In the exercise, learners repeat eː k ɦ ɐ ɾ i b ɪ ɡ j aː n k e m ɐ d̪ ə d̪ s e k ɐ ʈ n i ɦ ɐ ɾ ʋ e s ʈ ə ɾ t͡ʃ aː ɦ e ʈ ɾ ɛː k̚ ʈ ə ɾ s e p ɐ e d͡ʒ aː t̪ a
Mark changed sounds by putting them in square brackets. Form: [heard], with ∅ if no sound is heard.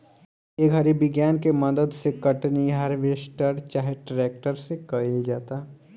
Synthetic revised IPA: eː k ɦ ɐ ɾ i b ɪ ɡ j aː n k e m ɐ d̪ ə d̪ s e k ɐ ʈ n i ɦ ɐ ɾ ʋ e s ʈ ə ɾ t͡ʃ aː ɦ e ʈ ɾ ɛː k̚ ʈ ə ɾ s e [k] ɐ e d͡ʒ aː t̪ a